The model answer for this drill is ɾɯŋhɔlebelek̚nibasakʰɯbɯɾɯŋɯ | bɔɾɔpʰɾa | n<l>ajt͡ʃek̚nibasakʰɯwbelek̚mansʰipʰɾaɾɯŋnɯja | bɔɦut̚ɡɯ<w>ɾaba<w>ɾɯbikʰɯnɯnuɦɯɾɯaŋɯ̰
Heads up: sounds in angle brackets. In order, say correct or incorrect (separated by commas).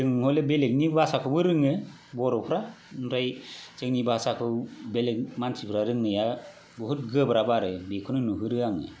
incorrect, incorrect, incorrect